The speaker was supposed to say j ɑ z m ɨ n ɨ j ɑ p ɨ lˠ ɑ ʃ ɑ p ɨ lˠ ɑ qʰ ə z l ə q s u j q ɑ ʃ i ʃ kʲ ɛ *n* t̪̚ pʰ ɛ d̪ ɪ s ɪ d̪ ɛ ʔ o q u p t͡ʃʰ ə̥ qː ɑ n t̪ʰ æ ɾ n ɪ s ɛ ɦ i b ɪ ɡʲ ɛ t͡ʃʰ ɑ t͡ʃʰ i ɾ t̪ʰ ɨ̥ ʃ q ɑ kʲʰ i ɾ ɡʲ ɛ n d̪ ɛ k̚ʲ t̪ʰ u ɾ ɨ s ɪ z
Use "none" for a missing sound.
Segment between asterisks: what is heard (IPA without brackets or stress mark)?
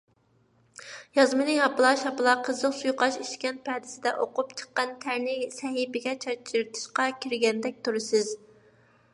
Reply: n